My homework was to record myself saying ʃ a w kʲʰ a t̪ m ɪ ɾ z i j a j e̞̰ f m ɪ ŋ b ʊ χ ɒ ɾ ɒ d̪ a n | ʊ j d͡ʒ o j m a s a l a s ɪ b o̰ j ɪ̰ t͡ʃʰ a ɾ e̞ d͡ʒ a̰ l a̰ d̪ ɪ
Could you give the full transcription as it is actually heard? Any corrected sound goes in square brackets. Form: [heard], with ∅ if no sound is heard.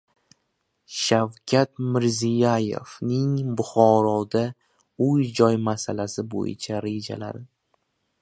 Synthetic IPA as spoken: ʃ a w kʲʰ a t̪ m ɪ ɾ z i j a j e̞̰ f [n] ɪ ŋ b ʊ χ ɒ ɾ ɒ d̪ a [∅] | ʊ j d͡ʒ [ɒ] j m a s a l a s ɪ b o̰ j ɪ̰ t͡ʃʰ a ɾ e̞ d͡ʒ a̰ l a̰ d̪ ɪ

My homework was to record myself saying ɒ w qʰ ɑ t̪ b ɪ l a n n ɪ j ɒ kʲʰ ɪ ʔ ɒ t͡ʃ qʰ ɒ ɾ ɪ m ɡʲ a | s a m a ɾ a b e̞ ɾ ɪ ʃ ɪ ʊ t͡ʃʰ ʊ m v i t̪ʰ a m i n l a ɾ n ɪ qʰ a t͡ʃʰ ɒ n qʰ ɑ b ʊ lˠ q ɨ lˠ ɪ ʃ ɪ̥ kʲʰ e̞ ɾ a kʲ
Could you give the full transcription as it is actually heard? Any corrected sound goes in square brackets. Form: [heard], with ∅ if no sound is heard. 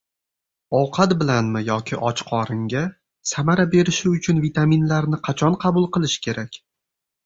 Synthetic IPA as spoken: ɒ w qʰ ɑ t̪ b ɪ l a n [m] ɪ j ɒ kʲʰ ɪ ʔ ɒ t͡ʃ qʰ ɒ ɾ ɪ [ŋ] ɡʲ a | s a m a ɾ a b e̞ ɾ ɪ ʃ ɪ ʊ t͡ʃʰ ʊ [n] v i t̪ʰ a m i n l a ɾ n ɪ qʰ [ɑ] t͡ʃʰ ɒ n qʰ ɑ b ʊ lˠ q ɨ lˠ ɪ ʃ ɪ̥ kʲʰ e̞ ɾ a kʲ

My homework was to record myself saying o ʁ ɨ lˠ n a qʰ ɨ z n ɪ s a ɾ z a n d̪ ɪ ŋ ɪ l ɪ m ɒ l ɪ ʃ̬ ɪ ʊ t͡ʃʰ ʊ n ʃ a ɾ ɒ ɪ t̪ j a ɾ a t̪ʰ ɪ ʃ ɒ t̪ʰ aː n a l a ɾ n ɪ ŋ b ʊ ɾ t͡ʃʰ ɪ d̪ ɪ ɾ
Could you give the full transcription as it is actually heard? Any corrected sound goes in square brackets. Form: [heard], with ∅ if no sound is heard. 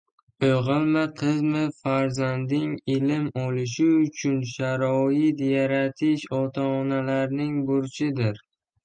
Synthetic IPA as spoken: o ʁ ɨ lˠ [m] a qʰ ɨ z [m] ɪ [f] a ɾ z a n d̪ ɪ ŋ ɪ l ɪ m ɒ l ɪ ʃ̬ ɪ ʊ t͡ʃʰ ʊ n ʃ a ɾ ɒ ɪ t̪ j a ɾ a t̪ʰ ɪ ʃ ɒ t̪ʰ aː n a l a ɾ n ɪ ŋ b ʊ ɾ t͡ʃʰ ɪ d̪ ɪ ɾ

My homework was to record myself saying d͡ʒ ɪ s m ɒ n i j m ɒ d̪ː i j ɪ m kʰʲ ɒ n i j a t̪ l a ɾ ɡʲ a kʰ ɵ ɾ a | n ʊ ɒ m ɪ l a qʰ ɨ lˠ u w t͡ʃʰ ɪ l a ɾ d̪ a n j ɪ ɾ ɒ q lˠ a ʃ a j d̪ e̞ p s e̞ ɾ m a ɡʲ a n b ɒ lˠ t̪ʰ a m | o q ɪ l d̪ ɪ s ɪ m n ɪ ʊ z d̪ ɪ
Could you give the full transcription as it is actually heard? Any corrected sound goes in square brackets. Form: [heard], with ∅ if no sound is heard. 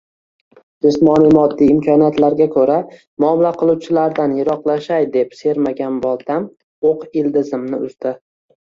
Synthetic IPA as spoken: d͡ʒ ɪ s m ɒ n i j m ɒ d̪ː i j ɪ m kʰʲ ɒ n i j a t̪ l a ɾ ɡʲ a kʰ ɵ ɾ a | [m] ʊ ɒ m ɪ l a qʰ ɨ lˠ u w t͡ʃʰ ɪ l a ɾ d̪ a n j ɪ ɾ ɒ q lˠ a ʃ a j d̪ e̞ p s e̞ ɾ m a ɡʲ a n b ɒ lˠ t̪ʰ a m | o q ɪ l d̪ ɪ [z] ɪ m n ɪ ʊ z d̪ ɪ

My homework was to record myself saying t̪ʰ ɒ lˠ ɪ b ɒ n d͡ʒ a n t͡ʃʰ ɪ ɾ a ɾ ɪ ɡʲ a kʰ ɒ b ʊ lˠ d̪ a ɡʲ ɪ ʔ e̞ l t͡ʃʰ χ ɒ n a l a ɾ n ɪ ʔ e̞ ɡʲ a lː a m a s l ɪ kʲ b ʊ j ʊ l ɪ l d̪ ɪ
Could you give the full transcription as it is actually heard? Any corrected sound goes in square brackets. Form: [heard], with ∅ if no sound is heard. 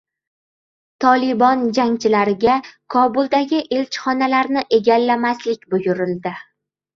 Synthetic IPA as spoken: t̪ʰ ɒ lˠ ɪ b ɒ n d͡ʒ a [ŋ] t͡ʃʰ ɪ [l] a ɾ ɪ ɡʲ a kʰ ɒ b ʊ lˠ d̪ a ɡʲ ɪ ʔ e̞ l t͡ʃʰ χ ɒ n a l a ɾ n ɪ ʔ e̞ ɡʲ a lː a m a s l ɪ kʲ b ʊ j ʊ [ɾ] ɪ l d̪ ɪ

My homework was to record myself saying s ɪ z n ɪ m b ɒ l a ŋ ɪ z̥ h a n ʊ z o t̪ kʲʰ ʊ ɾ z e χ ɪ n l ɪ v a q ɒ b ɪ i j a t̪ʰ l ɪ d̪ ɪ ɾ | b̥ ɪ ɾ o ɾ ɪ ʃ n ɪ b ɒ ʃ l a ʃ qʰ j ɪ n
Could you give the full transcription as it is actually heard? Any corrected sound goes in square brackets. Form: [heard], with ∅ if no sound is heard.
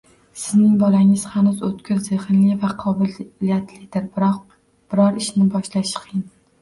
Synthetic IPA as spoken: s ɪ z n ɪ [ŋ] b ɒ l a ŋ ɪ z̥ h a n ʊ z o t̪ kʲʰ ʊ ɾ z e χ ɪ n l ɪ v a [qʰ] ɒ b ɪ i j a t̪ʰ l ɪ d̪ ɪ ɾ | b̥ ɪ ɾ [ɒ] ɾ ɪ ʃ n ɪ b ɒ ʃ l a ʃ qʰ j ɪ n

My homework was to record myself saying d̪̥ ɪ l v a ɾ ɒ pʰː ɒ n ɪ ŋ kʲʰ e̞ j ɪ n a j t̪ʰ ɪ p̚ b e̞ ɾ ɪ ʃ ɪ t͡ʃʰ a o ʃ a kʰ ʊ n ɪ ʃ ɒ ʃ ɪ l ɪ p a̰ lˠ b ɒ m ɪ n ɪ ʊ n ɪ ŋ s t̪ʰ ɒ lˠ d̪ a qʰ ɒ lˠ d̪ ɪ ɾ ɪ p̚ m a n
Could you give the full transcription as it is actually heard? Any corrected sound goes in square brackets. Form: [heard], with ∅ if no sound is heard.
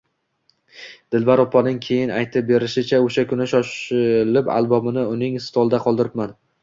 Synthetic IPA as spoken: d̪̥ ɪ l v a ɾ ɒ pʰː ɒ n ɪ ŋ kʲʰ e̞ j ɪ n a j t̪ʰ ɪ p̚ b e̞ ɾ ɪ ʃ ɪ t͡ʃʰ a o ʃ a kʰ ʊ n ɪ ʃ ɒ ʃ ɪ l ɪ p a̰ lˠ b ɒ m ɪ n ɪ ʊ n ɪ ŋ s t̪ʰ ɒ lˠ d̪ a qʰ ɒ lˠ d̪ ɪ ɾ ɪ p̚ m a n

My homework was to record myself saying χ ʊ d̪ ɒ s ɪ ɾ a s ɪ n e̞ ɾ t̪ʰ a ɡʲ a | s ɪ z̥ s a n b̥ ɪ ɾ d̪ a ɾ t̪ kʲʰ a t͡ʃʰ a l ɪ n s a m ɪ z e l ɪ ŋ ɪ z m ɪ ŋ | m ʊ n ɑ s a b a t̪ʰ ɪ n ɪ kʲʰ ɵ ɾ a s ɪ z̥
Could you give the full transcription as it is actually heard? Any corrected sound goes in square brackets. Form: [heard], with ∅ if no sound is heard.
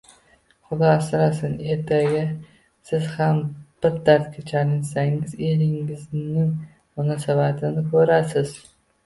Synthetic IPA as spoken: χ ʊ d̪ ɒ s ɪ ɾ a s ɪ n e̞ ɾ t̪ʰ a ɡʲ a | s ɪ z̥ [h] a [m] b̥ ɪ ɾ d̪ a ɾ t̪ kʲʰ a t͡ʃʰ a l ɪ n s a [ŋ] ɪ z e l ɪ ŋ ɪ z [n] ɪ ŋ | m ʊ n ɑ s a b a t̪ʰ ɪ n ɪ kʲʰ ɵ ɾ a s ɪ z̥

